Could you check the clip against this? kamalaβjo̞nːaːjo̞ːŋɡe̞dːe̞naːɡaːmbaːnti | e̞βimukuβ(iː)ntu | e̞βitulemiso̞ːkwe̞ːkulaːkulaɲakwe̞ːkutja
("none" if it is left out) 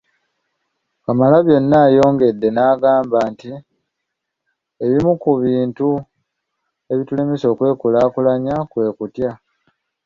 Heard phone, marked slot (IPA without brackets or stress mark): iː